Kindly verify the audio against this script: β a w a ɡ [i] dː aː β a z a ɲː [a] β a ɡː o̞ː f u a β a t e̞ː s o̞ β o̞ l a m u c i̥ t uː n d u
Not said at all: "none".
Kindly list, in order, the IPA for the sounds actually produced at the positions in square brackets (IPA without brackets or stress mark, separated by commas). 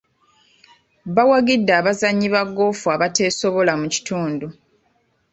i, i